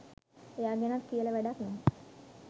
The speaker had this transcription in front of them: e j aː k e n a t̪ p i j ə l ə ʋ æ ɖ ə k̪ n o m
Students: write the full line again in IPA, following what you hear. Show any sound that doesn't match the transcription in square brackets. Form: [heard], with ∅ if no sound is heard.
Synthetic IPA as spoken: e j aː [ɡ] e n a t̪ [k] i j ə l ə ʋ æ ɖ [a] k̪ n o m